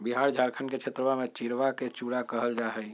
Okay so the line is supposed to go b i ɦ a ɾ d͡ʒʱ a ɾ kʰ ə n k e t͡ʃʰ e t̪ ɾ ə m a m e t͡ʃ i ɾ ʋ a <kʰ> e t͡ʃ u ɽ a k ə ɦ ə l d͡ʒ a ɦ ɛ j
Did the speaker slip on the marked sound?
yes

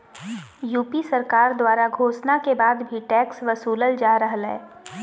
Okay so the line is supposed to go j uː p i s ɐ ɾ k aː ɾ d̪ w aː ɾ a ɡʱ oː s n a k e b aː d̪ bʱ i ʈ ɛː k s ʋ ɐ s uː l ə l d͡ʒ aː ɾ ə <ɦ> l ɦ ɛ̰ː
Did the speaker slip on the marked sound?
no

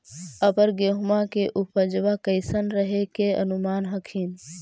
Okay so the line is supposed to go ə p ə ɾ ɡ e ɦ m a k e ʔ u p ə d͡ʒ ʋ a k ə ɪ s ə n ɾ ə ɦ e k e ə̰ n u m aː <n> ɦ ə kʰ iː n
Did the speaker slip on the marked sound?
no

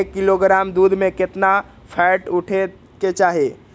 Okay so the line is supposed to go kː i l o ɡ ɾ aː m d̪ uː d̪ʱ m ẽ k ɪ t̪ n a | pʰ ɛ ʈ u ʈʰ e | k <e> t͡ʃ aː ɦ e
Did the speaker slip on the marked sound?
no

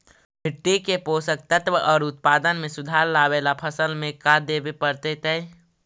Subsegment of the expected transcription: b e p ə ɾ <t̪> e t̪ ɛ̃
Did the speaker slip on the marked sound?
no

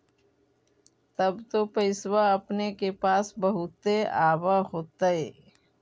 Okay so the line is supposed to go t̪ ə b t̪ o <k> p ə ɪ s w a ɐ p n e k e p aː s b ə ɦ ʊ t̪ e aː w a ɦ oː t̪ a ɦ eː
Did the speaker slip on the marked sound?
yes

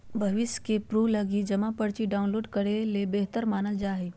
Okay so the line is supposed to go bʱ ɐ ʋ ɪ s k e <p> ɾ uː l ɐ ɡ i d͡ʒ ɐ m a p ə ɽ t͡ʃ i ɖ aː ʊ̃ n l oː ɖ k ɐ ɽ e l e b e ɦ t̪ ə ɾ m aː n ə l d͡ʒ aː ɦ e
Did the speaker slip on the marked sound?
no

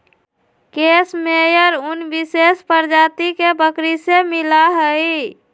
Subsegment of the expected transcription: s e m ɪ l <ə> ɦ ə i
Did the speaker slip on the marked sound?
yes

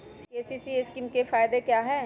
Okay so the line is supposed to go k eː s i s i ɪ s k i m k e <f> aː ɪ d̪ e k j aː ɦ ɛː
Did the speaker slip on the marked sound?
no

